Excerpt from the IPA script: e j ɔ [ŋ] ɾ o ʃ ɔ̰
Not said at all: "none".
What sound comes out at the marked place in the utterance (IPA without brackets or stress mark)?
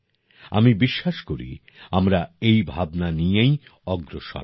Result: ɡ